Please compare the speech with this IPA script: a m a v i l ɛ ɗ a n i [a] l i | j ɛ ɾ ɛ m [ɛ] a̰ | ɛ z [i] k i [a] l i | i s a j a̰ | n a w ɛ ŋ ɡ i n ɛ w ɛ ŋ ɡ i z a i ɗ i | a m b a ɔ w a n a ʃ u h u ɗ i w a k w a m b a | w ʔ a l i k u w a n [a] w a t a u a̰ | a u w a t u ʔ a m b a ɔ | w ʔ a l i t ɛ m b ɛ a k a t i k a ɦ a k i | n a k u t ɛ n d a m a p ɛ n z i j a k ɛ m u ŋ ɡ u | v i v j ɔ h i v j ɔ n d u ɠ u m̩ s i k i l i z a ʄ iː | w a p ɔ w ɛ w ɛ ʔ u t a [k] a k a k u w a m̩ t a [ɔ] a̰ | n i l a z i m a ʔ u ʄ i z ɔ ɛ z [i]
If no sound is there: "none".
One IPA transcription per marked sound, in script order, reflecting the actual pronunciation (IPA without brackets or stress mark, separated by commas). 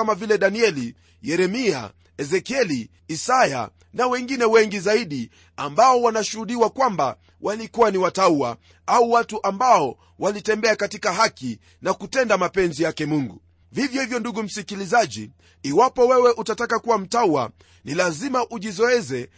ɛ, i, ɛ, ɛ, i, t, u, ɛ